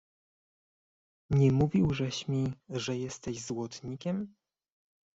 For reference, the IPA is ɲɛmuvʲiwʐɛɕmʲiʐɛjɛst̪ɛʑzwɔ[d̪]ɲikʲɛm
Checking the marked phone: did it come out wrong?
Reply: yes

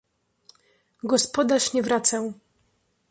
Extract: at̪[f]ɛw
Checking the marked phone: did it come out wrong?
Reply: yes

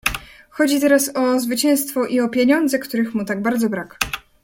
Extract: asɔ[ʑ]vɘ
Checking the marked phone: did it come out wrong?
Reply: yes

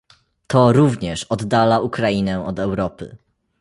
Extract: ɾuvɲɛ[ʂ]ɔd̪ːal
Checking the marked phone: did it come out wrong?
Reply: no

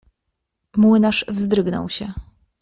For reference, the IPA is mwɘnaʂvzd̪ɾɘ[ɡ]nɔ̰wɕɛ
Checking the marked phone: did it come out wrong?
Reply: no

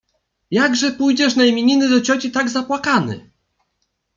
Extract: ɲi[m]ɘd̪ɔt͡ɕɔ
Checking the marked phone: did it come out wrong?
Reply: yes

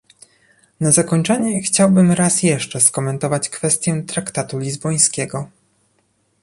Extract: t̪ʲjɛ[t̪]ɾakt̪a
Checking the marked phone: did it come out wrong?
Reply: no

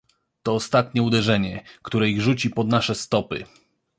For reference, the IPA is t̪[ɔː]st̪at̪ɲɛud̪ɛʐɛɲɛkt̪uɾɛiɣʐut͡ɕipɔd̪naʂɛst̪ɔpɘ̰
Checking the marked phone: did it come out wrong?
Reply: no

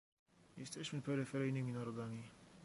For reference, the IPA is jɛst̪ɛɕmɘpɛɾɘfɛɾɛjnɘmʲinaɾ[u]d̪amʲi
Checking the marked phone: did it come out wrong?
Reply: yes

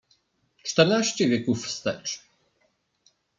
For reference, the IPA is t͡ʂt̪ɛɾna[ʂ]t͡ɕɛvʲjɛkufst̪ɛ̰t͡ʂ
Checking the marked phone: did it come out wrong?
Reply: yes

